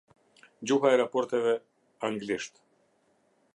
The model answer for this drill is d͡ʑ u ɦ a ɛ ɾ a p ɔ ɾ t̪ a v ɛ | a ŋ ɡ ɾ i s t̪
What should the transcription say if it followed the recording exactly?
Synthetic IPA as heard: d͡ʑ u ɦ a ɛ ɾ a p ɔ ɾ t̪ ɛ v ɛ | a ŋ ɡ l i ʃ t̪

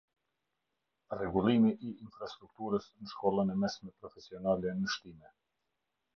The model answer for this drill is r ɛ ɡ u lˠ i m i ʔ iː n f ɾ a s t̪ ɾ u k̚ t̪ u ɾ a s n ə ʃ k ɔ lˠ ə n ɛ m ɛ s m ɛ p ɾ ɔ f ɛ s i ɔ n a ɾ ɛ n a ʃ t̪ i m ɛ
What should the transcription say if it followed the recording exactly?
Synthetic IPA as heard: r ɛ ɡ u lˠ i m i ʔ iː n f ɾ a s t̪ ɾ u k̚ t̪ u ɾ ə s n ə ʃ k ɔ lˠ ə n ɛ m ɛ s m ɛ p ɾ ɔ f ɛ s i ɔ n a l ɛ n ə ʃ t̪ i m ɛ

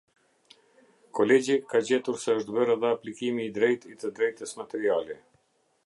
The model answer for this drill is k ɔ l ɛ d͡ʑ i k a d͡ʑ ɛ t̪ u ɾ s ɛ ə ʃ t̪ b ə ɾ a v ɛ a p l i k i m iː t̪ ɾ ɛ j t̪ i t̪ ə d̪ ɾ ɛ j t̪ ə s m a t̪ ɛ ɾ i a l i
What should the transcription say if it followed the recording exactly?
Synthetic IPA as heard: k ɔ l ɛ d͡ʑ i k a d͡ʑ ɛ t̪ u ɾ s ɛ ə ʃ t̪ b ə ɾ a ð ɛ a p l i k i m iː d̪ ɾ ɛ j t̪ i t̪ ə d̪ ɾ ɛ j t̪ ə s m a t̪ ɛ ɾ i a l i

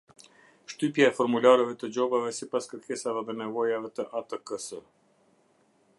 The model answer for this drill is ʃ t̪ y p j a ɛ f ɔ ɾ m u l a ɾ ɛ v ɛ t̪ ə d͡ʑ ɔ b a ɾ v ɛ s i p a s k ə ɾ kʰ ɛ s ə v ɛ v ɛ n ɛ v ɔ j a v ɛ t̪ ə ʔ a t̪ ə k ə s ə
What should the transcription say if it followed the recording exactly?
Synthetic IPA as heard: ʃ t̪ y p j a ɛ f ɔ ɾ m u l a ɾ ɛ v ɛ t̪ ə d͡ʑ ɔ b a v ɛ s i p a s k ə ɾ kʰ ɛ s a v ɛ ð ɛ n ɛ v ɔ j a v ɛ t̪ ə ʔ a t̪ ə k ə s ə

